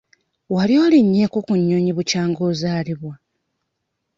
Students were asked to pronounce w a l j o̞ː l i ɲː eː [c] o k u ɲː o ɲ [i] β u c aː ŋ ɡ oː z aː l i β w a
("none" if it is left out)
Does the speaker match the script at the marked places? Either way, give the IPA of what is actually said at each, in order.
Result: k, i

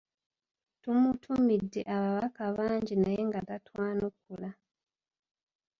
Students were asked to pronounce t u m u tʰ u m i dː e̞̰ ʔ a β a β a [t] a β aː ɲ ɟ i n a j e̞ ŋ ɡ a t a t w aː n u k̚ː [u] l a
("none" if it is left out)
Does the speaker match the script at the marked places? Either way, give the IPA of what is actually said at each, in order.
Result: k, u

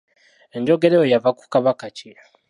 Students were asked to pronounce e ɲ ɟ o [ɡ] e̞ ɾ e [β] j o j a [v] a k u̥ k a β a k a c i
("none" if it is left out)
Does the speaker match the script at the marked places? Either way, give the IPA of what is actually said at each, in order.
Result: ɡ, none, v

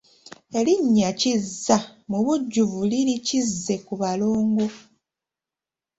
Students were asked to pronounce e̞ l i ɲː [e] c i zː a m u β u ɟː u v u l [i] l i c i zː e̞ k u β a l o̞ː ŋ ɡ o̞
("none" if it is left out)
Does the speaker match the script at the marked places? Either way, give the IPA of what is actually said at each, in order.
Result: a, i

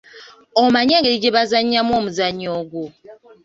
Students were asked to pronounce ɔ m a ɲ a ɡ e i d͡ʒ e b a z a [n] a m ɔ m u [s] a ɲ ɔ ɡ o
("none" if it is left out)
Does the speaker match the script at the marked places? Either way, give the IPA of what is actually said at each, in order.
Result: ɲ, z

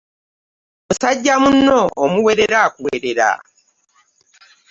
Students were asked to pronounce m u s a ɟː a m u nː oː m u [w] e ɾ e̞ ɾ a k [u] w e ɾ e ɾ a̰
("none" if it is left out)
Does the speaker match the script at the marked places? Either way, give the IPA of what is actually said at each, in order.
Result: w, u

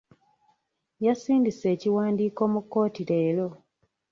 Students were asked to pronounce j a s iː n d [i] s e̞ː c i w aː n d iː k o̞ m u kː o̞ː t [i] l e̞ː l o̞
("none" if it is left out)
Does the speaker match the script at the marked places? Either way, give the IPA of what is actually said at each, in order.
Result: i, i

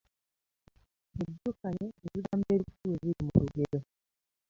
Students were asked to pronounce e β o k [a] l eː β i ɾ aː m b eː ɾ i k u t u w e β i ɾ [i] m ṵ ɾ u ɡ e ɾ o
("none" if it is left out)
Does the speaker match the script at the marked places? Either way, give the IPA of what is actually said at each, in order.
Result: a, i

